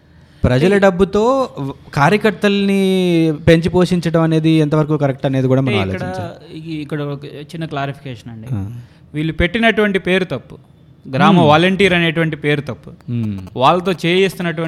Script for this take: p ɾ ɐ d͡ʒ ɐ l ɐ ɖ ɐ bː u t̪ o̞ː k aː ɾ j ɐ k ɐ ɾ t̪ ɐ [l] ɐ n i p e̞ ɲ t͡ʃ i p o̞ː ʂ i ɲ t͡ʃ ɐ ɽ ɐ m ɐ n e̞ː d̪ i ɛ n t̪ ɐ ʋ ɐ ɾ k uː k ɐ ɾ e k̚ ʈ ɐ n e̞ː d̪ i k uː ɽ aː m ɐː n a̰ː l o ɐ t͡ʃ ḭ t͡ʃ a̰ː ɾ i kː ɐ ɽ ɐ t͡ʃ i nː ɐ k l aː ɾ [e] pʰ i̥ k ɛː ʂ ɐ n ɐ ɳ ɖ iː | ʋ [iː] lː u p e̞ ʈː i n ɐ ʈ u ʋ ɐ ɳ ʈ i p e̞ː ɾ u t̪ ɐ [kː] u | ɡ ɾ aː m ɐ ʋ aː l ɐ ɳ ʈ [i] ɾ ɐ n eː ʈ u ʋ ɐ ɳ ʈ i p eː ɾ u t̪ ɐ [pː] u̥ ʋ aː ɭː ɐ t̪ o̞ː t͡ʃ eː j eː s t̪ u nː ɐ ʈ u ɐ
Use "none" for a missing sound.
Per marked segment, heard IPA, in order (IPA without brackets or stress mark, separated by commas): l, i, iː, pː, iː, pː